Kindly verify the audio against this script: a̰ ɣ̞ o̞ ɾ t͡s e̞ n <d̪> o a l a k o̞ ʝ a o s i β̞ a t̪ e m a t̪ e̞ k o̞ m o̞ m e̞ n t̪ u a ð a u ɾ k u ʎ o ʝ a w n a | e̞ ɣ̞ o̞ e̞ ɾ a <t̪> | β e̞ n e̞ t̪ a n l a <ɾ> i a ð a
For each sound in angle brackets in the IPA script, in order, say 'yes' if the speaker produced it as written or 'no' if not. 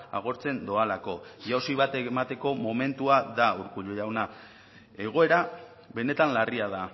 yes, no, no

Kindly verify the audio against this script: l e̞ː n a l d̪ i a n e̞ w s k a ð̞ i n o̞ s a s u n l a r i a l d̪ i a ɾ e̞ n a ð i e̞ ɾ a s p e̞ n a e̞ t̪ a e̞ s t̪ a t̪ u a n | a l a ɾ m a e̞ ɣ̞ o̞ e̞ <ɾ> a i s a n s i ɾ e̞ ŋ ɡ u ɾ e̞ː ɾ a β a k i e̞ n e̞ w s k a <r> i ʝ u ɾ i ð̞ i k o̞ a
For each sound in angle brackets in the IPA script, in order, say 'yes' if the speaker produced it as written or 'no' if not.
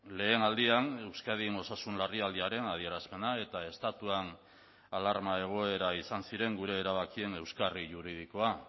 yes, yes

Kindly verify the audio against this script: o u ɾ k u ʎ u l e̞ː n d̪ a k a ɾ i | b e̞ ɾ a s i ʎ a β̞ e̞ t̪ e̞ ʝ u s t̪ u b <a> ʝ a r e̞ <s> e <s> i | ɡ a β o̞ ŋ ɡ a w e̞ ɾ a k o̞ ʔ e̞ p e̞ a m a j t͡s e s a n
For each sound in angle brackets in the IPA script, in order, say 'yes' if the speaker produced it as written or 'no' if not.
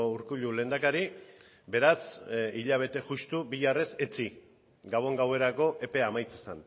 no, yes, no

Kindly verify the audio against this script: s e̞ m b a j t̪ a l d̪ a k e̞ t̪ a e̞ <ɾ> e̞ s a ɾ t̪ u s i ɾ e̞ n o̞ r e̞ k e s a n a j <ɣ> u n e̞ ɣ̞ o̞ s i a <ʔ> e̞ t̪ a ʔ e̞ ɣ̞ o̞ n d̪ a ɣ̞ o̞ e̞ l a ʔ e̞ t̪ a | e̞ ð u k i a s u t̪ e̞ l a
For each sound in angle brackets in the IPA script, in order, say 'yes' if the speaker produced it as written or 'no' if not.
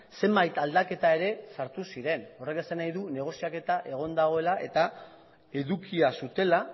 yes, no, no

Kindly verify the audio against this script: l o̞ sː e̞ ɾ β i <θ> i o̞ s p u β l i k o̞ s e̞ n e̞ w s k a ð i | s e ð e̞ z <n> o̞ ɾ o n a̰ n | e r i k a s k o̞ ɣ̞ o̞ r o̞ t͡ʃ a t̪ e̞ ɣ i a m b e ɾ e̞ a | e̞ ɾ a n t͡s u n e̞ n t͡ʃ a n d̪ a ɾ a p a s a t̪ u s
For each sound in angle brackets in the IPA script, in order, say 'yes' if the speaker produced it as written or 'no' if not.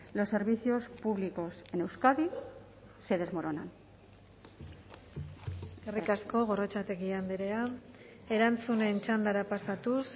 yes, no

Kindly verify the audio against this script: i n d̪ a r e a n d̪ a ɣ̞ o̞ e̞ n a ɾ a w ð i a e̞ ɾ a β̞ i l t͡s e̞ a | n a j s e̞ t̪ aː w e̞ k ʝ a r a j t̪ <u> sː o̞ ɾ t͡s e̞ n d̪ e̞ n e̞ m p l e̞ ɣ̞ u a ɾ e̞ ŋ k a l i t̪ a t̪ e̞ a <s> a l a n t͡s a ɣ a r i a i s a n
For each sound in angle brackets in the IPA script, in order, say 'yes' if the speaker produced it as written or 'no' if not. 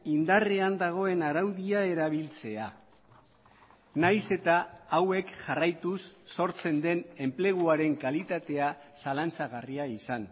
yes, yes

